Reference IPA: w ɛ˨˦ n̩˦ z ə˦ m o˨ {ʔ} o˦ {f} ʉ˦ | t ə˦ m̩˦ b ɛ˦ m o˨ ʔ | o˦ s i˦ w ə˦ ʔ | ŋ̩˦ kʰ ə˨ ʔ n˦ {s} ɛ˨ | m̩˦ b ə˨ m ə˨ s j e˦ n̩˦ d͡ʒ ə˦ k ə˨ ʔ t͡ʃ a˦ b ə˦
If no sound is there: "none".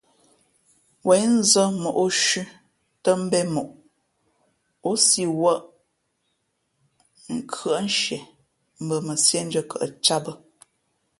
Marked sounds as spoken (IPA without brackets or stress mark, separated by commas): ʔ, ʃ, ʃ